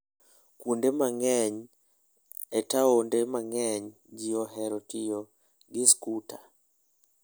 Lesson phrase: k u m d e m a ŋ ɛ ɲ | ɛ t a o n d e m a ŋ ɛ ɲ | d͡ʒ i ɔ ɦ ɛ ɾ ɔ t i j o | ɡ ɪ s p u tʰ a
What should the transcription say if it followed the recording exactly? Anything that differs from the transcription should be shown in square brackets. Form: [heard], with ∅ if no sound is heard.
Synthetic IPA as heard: k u [n] d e m a ŋ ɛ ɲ | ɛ t a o n d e m a ŋ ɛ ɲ | d͡ʒ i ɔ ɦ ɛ ɾ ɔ t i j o | ɡ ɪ s [k] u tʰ a